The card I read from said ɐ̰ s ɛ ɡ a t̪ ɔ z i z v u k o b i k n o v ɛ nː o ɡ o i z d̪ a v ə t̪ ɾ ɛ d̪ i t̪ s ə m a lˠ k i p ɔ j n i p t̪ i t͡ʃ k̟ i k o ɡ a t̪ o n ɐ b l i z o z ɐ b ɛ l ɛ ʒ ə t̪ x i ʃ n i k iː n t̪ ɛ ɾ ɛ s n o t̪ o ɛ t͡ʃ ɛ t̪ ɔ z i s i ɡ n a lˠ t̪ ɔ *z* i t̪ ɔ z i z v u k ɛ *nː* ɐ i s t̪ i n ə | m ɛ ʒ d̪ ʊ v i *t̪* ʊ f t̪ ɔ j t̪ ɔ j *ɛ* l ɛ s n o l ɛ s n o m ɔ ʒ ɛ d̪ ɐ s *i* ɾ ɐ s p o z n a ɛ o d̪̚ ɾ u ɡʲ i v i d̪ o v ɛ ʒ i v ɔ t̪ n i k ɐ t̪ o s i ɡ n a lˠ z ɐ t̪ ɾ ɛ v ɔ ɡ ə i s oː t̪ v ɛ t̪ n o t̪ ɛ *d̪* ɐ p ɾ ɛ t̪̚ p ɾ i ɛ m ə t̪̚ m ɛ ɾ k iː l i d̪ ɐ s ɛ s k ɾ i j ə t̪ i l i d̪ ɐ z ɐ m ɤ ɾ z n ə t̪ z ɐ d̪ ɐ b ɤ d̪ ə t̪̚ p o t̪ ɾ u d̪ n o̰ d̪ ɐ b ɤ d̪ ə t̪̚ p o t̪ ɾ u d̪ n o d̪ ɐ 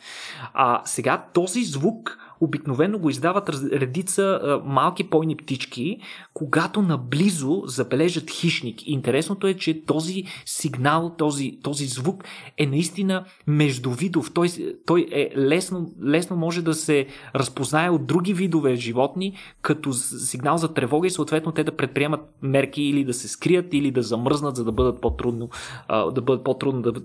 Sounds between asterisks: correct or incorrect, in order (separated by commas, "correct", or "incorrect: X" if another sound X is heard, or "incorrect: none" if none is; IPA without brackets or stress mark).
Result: correct, incorrect: n, incorrect: d̪, correct, incorrect: ɛ, correct